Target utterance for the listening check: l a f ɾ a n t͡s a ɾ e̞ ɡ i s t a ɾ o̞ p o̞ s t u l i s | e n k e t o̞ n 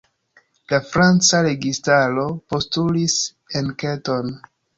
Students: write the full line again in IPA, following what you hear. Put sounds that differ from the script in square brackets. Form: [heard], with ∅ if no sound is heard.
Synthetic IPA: l a f ɾ a n t͡s a ɾ e̞ ɡ i s t a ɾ o̞ p o̞ s t u l i s | e n k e t o̞ n

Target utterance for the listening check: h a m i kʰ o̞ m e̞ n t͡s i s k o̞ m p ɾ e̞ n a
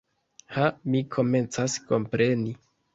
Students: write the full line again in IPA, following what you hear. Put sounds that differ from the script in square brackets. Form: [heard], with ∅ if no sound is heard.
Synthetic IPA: h a m i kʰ o̞ m e̞ n t͡s [a] s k o̞ m p ɾ e̞ n [i]

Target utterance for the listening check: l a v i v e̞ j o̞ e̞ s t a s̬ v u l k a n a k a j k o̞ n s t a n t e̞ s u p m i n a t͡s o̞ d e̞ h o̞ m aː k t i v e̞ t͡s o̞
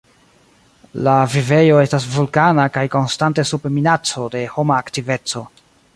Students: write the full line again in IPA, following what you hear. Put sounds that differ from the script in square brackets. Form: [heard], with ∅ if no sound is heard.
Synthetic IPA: l a v i v e̞ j o̞ e̞ s t a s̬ v u l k a n a k a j k o̞ n s t a n t e̞ s u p m i n a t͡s o̞ d e̞ h o̞ m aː k t i v e̞ t͡s o̞

